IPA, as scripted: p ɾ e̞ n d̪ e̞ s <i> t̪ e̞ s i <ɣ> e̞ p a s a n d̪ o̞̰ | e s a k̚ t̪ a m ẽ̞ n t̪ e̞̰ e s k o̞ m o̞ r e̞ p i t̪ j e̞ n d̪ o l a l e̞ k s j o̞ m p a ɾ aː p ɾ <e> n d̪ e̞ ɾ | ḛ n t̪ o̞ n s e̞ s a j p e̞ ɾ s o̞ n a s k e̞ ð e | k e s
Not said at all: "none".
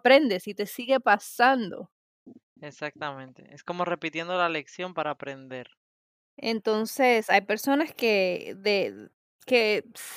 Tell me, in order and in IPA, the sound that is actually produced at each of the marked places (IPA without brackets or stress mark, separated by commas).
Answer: i, ɣ, e